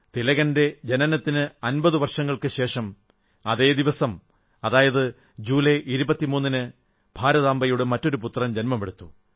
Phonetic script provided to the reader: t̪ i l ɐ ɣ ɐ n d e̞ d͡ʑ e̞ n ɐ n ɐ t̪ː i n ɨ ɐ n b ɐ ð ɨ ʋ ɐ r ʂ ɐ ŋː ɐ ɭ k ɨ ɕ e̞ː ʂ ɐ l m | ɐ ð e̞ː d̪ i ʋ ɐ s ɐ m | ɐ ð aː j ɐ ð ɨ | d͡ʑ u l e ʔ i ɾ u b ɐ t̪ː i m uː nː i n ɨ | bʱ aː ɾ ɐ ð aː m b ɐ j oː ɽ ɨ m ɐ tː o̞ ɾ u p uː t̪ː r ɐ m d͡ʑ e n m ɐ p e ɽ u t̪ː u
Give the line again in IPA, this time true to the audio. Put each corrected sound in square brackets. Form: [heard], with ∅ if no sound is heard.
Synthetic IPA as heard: t̪ i l ɐ ɣ ɐ n d e̞ d͡ʑ e̞ n ɐ n ɐ t̪ː i n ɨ ɐ n b ɐ ð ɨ ʋ ɐ r ʂ ɐ ŋː ɐ ɭ k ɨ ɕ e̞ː ʂ ɐ [∅] m | ɐ ð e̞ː d̪ i ʋ ɐ s ɐ m | ɐ ð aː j ɐ ð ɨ | d͡ʑ [uː] l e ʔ i ɾ u b ɐ t̪ː i m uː nː i n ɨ | bʱ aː ɾ ɐ ð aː m b ɐ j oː ɽ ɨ m ɐ tː o̞ ɾ u p [u] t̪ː r ɐ m d͡ʑ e n m ɐ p e ɽ u t̪ː u

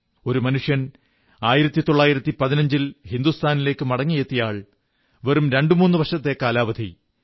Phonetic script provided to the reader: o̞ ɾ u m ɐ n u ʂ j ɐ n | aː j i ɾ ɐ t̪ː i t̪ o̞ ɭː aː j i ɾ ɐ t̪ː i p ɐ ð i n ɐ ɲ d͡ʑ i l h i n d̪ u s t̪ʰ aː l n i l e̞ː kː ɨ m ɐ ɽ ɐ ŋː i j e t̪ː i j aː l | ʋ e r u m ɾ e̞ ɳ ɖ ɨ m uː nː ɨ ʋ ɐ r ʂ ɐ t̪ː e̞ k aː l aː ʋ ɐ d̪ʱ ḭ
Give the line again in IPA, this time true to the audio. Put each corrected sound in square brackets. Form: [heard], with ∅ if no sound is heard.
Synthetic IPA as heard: o̞ ɾ u m ɐ n u ʂ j ɐ n | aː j i ɾ ɐ t̪ː i t̪ o̞ ɭː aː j i ɾ ɐ t̪ː i p ɐ ð i n ɐ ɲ d͡ʑ i l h i n d̪ u s t̪ʰ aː [∅] n i l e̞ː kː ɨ m ɐ ɽ ɐ ŋː i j e t̪ː i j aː [ɭ] | ʋ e r u m ɾ e̞ ɳ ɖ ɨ m uː nː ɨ ʋ ɐ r ʂ ɐ t̪ː e̞ k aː l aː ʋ ɐ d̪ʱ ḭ

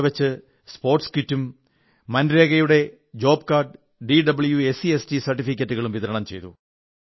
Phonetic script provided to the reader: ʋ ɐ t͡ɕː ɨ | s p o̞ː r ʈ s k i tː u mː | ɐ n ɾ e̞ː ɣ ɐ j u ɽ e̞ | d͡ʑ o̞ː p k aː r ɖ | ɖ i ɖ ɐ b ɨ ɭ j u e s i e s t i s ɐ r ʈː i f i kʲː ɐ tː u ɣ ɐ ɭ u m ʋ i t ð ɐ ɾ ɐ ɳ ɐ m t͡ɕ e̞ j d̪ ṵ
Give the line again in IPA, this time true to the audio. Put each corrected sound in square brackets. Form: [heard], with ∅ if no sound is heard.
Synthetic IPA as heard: ʋ ɐ t͡ɕː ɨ | s p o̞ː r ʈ s k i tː u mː | ɐ n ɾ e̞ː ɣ ɐ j u ɽ e̞ | d͡ʑ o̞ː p k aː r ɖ | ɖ i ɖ ɐ b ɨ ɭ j u e s i e s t i s ɐ r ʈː i f i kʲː ɐ tː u ɣ ɐ ɭ u m ʋ i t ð ɐ ɾ ɐ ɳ ɐ m t͡ɕ e̞ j [t̪] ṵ

